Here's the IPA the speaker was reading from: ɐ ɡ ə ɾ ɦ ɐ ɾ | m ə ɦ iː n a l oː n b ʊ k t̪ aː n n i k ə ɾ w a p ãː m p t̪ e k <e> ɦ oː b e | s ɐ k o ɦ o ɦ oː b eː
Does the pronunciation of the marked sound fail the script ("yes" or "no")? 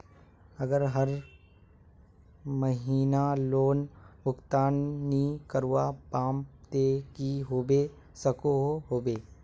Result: yes